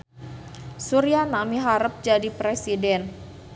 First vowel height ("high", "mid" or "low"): high